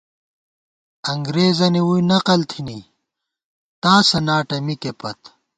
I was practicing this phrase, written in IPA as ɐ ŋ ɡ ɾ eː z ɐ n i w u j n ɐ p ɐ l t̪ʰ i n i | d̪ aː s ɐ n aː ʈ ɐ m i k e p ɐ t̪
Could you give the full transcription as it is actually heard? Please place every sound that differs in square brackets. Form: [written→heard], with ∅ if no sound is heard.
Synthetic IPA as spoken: ɐ ŋ ɡ ɾ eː z ɐ n i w u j n ɐ [p→q] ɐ l t̪ʰ i n i | [d̪→t̪] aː s ɐ n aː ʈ ɐ m i k e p ɐ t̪